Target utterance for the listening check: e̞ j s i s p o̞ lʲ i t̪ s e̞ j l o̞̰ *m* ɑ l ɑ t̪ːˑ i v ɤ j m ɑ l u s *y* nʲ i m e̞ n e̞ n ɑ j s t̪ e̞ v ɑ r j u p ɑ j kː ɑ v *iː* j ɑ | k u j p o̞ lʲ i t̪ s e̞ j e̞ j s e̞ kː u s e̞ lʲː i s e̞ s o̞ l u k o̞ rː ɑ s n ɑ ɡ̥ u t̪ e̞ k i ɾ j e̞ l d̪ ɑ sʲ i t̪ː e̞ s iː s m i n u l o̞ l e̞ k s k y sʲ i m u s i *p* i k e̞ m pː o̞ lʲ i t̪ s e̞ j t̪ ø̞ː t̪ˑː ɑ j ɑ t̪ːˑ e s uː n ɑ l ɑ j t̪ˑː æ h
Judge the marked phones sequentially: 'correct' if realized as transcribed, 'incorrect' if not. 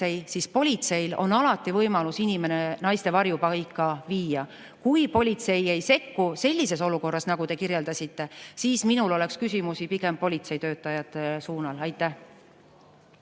incorrect: n, incorrect: i, correct, correct

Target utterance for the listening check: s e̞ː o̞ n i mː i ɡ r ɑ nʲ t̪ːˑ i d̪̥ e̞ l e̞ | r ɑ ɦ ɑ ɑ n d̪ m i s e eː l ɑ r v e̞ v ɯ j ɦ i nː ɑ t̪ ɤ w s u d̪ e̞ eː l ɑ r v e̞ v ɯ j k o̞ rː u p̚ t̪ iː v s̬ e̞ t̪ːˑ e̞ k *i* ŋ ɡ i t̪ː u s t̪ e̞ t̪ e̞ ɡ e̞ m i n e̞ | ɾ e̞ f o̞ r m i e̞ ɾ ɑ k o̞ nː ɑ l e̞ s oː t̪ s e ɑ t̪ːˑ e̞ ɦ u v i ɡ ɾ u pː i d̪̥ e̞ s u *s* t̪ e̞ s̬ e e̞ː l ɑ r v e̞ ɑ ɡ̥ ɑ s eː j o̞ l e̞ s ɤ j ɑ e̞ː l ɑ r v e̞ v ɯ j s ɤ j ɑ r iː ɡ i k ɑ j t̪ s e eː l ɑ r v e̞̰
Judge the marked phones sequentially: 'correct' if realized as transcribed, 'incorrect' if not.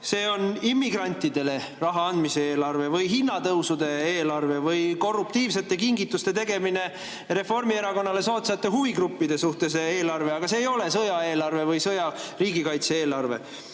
correct, incorrect: h

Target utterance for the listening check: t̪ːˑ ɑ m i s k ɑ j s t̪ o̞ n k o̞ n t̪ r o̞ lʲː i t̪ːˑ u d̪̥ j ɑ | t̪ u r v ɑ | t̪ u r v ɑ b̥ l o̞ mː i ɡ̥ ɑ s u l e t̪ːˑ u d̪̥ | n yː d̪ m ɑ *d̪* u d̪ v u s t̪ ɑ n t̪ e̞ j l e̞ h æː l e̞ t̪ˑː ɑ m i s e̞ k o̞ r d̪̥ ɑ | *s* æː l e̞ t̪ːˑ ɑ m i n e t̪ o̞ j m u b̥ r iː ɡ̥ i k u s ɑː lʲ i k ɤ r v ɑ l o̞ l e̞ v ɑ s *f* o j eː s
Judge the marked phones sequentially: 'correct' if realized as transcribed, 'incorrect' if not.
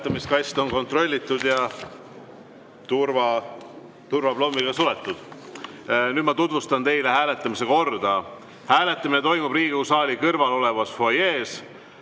incorrect: t̪, incorrect: h, correct

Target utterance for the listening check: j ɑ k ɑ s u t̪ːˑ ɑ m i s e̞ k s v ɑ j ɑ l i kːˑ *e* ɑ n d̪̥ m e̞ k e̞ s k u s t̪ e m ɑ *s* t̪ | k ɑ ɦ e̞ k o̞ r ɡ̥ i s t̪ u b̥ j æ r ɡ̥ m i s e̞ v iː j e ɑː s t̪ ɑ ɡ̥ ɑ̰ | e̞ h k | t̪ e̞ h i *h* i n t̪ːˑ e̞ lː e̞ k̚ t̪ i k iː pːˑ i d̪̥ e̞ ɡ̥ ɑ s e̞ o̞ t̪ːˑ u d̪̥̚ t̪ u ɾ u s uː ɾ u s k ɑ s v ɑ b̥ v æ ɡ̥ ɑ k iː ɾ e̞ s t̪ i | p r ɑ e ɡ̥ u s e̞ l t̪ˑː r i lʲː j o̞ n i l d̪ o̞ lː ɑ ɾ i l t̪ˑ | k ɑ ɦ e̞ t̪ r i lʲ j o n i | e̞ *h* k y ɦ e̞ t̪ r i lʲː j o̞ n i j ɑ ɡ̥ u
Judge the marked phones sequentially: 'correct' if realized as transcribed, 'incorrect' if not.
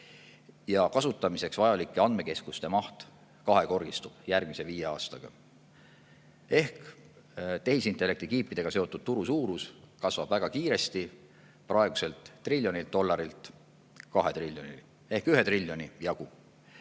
correct, incorrect: h, incorrect: s, correct

